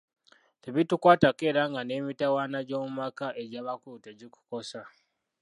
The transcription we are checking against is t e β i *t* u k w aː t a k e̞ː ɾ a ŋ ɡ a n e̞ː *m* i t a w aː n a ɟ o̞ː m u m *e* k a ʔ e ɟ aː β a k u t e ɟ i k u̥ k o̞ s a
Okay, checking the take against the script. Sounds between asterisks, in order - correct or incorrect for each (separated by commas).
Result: correct, correct, incorrect